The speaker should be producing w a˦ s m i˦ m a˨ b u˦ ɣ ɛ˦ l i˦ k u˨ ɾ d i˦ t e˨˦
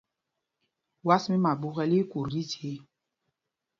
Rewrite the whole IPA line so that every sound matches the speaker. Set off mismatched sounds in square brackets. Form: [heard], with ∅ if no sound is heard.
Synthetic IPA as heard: w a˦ s m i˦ m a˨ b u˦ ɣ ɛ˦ l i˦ k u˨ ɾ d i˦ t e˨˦